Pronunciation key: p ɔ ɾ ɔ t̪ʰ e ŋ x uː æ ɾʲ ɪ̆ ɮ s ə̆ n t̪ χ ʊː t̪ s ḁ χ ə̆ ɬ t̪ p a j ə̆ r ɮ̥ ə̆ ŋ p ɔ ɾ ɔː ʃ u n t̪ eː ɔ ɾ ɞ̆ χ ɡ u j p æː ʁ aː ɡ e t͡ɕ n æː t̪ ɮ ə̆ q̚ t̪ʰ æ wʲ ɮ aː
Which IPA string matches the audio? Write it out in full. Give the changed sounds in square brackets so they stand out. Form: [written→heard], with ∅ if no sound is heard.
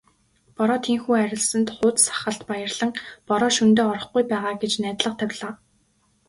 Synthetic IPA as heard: p ɔ ɾ [ɔ→ɔː] t̪ʰ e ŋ x uː æ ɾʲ ɪ̆ ɮ s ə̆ n t̪ χ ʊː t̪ s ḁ χ ə̆ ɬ t̪ p a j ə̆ r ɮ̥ ə̆ ŋ p ɔ ɾ ɔː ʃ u n t̪ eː ɔ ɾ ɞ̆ χ ɡ u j p æː ʁ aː ɡ e t͡ɕ n æː t̪ ɮ ə̆ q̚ t̪ʰ æ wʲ ɮ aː